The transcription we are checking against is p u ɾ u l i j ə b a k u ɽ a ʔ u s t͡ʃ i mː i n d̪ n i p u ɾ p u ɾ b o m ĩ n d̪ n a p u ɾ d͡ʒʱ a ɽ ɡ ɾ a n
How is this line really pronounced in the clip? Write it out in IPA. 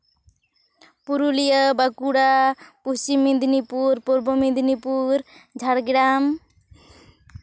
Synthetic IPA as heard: p u ɾ u l i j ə b a k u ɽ a p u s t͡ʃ i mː i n d̪ n i p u ɾ p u ɾ b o m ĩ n d̪ n i p u ɾ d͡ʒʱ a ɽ ɡ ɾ a m